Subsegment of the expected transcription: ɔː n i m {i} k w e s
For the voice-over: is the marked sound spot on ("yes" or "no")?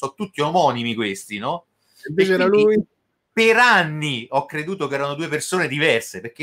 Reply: yes